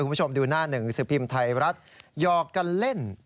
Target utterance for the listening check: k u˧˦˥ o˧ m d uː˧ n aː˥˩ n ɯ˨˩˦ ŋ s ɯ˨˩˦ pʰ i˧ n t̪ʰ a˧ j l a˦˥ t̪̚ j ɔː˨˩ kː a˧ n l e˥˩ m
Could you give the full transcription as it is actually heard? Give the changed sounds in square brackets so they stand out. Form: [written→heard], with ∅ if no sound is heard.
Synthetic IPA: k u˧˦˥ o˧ m d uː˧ n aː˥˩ n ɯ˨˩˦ ŋ s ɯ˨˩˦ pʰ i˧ [n→m] t̪ʰ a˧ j [l→ɾ] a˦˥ t̪̚ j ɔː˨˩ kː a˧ n l e˥˩ [m→n]